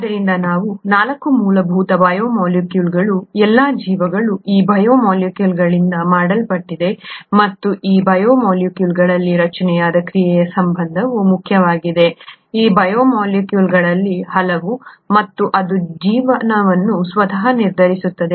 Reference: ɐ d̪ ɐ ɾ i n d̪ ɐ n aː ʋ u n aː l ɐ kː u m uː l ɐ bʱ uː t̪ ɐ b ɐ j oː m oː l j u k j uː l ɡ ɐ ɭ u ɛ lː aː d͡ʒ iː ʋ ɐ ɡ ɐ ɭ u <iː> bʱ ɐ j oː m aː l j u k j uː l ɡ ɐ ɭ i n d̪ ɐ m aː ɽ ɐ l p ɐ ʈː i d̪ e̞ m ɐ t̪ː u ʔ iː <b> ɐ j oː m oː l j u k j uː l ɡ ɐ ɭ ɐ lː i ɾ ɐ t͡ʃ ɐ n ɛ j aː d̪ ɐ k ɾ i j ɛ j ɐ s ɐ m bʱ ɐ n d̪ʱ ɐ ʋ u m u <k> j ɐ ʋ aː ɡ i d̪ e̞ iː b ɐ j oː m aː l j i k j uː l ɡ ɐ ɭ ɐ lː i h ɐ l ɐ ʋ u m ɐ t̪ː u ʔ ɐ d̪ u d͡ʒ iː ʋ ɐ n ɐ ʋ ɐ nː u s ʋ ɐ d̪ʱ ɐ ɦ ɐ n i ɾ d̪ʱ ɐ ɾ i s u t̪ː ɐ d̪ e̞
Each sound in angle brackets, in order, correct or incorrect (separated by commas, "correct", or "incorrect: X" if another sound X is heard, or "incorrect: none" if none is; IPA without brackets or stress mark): correct, correct, incorrect: kʰ